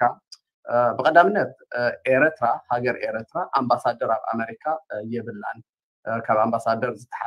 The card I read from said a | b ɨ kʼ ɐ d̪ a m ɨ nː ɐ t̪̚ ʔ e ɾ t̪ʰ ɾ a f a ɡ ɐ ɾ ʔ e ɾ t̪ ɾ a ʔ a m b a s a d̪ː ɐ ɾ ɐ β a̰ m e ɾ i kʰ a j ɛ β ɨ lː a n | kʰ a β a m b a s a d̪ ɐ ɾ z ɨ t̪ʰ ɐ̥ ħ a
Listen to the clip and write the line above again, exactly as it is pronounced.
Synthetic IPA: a | b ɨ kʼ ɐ d̪ a m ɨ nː ɐ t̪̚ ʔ e ɾ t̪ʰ ɾ a h a ɡ ɐ ɾ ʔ e ɾ t̪ ɾ a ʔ a m b a s a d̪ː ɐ ɾ a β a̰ m e ɾ i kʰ a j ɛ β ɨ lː a n | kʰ a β a m b a s a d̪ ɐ ɾ z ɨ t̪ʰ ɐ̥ ħ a